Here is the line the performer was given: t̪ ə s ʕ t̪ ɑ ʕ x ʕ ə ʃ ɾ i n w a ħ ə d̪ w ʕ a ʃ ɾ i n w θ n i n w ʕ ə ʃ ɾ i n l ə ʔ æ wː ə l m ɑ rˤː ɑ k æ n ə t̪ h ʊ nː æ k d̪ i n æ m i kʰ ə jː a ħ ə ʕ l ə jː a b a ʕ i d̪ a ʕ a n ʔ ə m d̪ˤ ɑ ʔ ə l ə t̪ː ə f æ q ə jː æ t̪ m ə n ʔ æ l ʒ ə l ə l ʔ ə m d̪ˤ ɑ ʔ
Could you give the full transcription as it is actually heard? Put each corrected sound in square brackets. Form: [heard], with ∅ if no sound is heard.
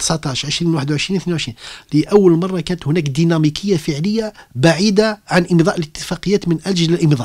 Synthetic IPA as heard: t̪ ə s ʕ t̪ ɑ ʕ [ʃ] ʕ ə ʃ ɾ i n w a ħ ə d̪ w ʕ [ə] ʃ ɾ i n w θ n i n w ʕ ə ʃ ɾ i n l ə ʔ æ wː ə l m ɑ rˤː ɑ k æ n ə t̪ h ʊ [n] æ k d̪ i n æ m i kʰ ə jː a [f] ə ʕ l ə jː a b a ʕ i d̪ a ʕ a n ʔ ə m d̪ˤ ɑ ʔ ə l ə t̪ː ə f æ q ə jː æ t̪ m ə n ʔ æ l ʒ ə l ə l ʔ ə m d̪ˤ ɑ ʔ